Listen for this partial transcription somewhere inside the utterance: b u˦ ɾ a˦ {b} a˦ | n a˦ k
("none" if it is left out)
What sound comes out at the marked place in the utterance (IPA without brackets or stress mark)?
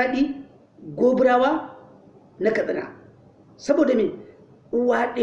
w